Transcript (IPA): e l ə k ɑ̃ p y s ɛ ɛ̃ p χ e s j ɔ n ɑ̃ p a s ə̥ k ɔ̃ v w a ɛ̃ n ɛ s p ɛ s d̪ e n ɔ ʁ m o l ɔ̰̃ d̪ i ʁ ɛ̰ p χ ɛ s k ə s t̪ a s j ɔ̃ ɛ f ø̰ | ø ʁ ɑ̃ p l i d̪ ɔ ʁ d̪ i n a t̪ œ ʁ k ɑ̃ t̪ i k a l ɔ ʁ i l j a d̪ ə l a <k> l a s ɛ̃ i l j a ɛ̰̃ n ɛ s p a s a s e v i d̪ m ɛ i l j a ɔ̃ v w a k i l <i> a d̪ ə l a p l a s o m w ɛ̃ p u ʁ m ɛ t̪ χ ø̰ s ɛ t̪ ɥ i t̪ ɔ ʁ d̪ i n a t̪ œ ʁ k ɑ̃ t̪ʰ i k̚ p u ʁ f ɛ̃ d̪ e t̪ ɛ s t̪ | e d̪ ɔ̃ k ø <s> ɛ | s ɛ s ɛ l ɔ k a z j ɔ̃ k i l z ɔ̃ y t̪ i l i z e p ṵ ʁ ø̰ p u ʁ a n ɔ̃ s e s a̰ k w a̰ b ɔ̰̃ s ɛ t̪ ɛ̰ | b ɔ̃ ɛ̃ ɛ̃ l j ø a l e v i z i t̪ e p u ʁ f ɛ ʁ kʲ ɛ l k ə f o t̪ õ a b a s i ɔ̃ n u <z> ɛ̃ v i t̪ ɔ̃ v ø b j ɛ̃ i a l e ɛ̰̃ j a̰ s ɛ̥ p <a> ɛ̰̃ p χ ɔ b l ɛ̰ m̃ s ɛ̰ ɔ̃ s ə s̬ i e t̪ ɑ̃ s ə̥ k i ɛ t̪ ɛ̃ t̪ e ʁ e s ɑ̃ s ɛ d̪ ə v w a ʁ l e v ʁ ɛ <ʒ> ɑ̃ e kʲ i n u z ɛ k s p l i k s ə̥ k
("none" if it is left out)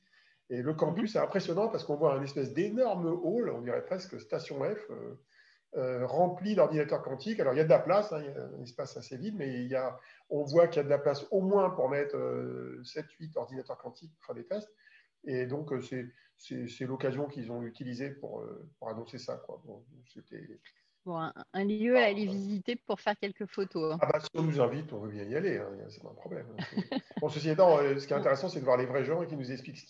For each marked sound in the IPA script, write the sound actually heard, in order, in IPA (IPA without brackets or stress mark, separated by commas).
p, j, s, z, a, ʒ